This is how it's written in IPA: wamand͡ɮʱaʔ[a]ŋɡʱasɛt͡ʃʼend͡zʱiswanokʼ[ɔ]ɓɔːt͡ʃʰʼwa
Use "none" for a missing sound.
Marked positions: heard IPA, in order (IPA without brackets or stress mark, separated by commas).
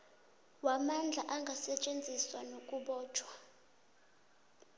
a, u